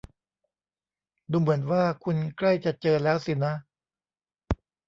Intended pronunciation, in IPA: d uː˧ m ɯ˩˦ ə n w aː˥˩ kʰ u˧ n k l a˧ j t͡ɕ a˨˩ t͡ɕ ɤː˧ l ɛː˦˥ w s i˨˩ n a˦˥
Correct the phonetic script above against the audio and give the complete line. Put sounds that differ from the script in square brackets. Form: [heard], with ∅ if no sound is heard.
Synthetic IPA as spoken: d uː˧ m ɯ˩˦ ə n w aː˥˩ kʰ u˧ n k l [a˥˩] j t͡ɕ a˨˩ t͡ɕ ɤː˧ l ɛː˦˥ w s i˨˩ n a˦˥